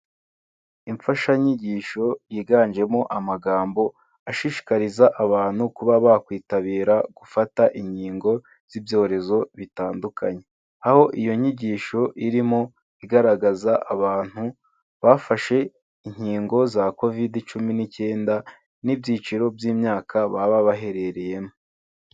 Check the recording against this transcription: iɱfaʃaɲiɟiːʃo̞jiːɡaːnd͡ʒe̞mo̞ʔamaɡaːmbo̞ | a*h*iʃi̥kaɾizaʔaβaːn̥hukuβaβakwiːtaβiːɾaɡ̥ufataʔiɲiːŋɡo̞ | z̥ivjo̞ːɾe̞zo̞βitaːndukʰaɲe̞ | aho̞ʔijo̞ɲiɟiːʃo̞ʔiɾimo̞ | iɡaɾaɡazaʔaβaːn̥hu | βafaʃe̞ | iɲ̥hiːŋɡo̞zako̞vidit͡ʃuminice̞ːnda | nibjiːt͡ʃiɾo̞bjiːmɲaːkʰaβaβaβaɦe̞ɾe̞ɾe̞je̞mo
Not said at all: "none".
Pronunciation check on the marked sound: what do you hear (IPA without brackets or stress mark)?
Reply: ʃ